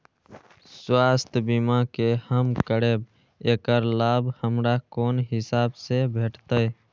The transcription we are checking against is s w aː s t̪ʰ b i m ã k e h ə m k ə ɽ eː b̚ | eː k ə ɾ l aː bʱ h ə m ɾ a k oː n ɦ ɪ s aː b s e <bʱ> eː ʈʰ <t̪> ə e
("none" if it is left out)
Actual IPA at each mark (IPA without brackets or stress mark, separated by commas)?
bʱ, t̪